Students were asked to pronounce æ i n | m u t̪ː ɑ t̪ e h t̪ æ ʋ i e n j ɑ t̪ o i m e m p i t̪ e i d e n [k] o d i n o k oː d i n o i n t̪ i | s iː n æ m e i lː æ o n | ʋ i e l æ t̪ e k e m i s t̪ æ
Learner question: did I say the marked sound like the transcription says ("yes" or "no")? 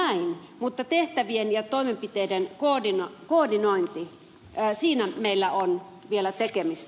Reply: yes